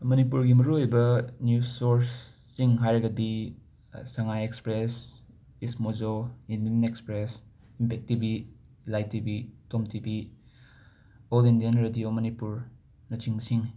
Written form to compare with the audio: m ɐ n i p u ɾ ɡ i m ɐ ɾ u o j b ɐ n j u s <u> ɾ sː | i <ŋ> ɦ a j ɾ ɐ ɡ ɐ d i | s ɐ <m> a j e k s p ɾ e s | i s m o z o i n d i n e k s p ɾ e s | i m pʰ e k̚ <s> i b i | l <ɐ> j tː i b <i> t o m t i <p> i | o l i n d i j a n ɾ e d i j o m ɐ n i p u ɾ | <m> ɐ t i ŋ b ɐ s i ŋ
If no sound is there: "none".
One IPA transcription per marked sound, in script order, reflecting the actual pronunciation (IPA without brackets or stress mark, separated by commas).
o, ŋ, ŋ, t, a, i, b, n